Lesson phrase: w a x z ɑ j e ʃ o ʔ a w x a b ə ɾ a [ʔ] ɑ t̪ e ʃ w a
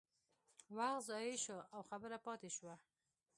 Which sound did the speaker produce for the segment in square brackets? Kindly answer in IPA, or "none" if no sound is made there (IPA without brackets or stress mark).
p